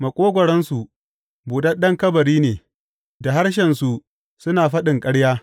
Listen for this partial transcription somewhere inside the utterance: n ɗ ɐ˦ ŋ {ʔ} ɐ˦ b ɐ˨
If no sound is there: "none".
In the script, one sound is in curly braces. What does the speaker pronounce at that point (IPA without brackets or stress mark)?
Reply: k